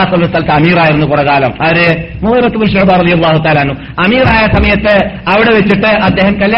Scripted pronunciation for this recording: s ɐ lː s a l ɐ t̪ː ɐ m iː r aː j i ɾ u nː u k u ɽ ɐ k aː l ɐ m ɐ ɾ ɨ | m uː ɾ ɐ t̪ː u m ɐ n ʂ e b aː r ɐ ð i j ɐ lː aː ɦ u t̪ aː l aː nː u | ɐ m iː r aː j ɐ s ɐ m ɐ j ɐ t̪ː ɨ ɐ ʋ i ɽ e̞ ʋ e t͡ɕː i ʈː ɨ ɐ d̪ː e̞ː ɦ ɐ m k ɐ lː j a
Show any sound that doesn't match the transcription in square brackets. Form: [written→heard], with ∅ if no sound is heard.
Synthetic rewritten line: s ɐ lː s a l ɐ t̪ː ɐ m iː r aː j i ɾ u nː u k u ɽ ɐ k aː l ɐ m ɐ ɾ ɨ | m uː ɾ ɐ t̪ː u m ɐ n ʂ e b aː r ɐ ð i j ɐ lː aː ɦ u t̪ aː l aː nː u | ɐ m iː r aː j ɐ s ɐ m ɐ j ɐ t̪ː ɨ ɐ ʋ i ɽ e̞ ʋ e t͡ɕː i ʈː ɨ ɐ d̪ː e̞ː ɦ ɐ m k ɐ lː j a